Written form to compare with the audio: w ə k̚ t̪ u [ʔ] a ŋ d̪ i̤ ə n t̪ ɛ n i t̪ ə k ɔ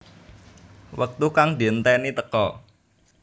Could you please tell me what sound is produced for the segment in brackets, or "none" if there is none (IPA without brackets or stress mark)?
k